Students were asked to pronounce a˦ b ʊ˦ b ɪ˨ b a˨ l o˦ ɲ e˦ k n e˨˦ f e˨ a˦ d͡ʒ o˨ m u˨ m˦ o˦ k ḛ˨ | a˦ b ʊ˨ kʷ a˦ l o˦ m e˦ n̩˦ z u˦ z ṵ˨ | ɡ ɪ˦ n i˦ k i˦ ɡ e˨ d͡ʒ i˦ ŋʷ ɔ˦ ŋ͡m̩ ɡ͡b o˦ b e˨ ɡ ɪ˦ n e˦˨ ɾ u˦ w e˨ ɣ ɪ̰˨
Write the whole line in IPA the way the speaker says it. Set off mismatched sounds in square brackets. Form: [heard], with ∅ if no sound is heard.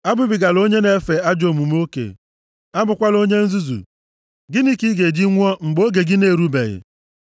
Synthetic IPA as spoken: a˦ b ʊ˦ b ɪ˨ [ɡ] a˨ l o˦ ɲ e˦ [∅] n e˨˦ f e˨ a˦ d͡ʒ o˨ m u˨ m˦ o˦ k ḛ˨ | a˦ b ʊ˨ kʷ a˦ l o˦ [ɲ] e˦ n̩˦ z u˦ z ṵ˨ | ɡ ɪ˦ n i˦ k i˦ ɡ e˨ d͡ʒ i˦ ŋʷ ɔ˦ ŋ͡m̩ ɡ͡b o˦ [ɡ] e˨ ɡ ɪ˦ n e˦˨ ɾ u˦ [b] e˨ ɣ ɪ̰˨